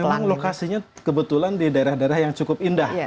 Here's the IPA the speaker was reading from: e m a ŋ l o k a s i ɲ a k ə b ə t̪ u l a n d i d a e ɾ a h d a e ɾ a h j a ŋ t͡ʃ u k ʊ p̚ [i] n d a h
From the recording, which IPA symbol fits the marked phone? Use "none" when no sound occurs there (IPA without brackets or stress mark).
i